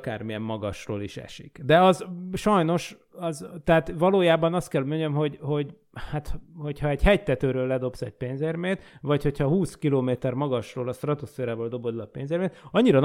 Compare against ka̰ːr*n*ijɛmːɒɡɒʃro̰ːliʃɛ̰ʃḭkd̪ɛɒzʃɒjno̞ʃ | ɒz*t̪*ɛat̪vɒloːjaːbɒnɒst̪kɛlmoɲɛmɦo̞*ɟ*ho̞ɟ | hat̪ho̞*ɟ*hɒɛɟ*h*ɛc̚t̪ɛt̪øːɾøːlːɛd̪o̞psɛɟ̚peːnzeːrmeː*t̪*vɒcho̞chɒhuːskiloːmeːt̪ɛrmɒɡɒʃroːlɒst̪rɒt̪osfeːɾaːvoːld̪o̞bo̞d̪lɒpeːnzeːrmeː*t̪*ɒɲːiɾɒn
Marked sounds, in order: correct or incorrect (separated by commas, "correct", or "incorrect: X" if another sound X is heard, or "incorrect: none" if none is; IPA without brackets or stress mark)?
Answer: incorrect: m, correct, correct, incorrect: c, correct, correct, correct